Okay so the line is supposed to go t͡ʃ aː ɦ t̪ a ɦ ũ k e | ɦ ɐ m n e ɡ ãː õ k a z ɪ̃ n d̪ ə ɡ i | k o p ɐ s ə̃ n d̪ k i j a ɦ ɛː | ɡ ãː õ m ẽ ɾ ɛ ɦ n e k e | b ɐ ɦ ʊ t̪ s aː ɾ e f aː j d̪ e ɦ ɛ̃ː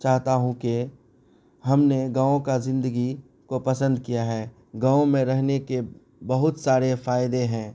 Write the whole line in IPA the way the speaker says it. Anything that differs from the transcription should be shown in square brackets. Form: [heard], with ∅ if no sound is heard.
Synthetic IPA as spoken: t͡ʃ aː ɦ t̪ a ɦ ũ k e | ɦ ɐ m n e ɡ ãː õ k a z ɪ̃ n d̪ ə ɡ i | k o p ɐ s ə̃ n d̪ k i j a ɦ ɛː | ɡ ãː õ m ẽ ɾ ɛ ɦ n e k e | b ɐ ɦ ʊ t̪ s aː ɾ e f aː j d̪ e ɦ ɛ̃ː